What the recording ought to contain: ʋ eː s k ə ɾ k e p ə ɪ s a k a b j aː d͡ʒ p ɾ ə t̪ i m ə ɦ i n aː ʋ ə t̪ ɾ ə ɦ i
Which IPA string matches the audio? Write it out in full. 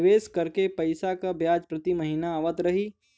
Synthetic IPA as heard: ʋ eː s k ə ɾ k e p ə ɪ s a k a b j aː d͡ʒ p ɾ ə t̪ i m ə ɦ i n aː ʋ ə t̪ ɾ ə ɦ i